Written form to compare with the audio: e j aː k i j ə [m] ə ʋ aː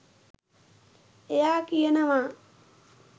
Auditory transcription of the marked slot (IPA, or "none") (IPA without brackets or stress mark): n